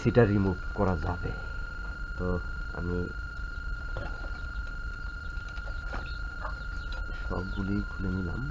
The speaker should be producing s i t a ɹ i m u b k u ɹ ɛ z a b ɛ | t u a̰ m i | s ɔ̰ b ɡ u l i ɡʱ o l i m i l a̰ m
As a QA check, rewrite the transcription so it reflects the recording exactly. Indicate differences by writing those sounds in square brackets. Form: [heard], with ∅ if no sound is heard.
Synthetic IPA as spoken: s i t a ɹ i m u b k [ɔ] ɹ [a] z a b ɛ | t [ɔ] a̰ m i | s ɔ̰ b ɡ u l i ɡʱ [u] l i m i l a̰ m